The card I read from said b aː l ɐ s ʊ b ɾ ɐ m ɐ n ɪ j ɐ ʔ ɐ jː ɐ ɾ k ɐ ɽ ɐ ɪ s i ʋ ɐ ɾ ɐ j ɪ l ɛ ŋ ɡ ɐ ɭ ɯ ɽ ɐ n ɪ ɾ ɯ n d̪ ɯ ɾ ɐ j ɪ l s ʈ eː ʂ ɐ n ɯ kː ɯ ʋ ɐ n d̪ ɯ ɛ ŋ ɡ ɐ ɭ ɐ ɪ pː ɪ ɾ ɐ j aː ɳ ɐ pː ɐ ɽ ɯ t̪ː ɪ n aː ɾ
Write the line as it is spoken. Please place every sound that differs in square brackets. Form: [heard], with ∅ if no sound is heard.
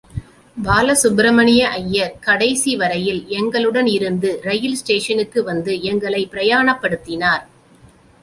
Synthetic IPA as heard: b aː l ɐ s ʊ b ɾ ɐ m ɐ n ɪ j ɐ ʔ ɐ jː ɐ ɾ k ɐ ɽ ɐ ɪ s i ʋ ɐ ɾ ɐ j ɪ l ɛ ŋ ɡ ɐ ɭ ɯ ɽ ɐ n ɪ ɾ ɯ n d̪ ɯ ɾ ɐ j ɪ l s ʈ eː ʂ ɐ n ɯ kː ɯ ʋ ɐ n d̪ ɯ ɛ ŋ ɡ ɐ ɭ ɐ ɪ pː ɪ ɾ ɐ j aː ɳ ɐ pː ɐ ɽ ɯ t̪ː ɪ n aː ɾ